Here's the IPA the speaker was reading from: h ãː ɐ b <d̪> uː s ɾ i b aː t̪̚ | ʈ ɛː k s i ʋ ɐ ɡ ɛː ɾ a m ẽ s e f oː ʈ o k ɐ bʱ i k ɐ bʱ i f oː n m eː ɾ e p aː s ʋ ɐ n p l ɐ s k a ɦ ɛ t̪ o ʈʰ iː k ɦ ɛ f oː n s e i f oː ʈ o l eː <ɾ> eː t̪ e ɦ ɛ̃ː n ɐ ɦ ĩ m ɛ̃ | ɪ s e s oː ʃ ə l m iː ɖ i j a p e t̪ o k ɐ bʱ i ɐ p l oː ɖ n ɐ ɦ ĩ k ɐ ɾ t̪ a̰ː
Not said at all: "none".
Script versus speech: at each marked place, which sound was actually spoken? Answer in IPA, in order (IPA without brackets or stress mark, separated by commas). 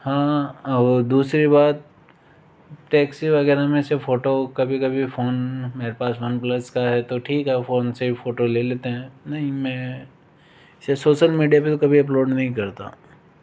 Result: d̪, l